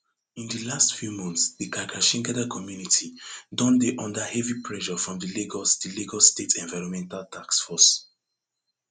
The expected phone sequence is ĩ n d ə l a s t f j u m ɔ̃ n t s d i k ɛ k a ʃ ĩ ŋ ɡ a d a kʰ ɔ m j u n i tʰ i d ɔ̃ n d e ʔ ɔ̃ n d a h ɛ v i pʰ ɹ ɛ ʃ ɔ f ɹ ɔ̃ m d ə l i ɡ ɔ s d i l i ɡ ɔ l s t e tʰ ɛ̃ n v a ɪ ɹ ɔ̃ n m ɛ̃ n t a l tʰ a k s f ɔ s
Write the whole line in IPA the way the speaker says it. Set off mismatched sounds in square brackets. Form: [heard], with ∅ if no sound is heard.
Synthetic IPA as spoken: ĩ n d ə l a s t f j u m ɔ̃ n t s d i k [a] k a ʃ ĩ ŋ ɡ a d a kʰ ɔ m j u n i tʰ i d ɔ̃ n d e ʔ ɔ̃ n d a h ɛ v i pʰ ɹ ɛ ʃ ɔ f ɹ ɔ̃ m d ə l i ɡ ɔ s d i l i ɡ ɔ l s t e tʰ ɛ̃ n v a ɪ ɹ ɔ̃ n m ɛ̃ n t a l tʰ a k s f ɔ s